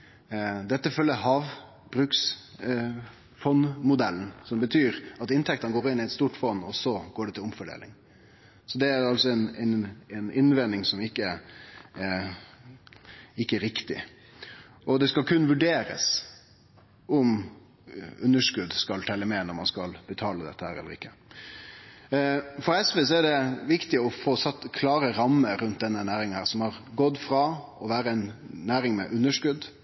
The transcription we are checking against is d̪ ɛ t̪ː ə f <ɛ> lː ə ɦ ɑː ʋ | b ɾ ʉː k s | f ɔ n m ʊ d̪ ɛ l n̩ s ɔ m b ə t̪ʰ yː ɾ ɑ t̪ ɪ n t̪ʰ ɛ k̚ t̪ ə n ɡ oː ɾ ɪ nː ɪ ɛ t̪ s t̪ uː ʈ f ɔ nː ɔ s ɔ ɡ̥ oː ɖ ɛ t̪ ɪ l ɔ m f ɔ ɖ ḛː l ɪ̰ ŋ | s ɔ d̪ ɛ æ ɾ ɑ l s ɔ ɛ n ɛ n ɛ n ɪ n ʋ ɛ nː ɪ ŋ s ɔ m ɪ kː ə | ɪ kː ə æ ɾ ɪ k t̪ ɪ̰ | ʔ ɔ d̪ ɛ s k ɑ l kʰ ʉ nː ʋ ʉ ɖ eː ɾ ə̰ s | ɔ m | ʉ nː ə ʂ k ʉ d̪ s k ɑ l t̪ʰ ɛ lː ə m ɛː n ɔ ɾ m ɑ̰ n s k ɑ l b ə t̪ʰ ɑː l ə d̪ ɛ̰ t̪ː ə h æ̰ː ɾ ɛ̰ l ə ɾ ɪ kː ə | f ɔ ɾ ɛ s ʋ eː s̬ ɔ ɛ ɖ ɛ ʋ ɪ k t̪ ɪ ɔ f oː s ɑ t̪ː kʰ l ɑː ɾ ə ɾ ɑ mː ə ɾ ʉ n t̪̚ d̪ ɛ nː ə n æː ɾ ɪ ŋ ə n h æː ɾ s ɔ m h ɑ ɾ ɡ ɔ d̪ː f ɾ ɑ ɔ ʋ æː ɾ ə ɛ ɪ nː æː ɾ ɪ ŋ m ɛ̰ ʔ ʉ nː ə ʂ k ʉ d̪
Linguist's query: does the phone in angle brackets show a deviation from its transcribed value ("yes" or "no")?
yes